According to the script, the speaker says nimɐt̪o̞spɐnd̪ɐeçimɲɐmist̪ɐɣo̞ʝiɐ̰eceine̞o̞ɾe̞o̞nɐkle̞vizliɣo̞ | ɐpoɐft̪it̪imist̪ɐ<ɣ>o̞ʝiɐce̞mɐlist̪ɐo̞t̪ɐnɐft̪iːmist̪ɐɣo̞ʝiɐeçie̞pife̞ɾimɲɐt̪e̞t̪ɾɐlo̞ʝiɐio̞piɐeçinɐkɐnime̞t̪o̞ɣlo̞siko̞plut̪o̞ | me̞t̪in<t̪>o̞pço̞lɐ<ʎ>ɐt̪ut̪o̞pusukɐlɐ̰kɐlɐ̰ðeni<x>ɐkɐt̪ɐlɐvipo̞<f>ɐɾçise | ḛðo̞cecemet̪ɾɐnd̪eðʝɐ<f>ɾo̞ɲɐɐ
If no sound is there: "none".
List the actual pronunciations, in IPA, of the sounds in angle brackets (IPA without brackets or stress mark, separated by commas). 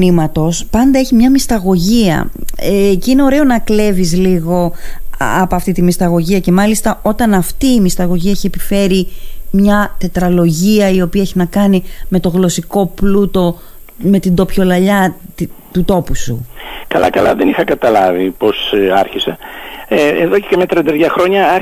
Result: ɣ, d̪, ʎ, x, s, x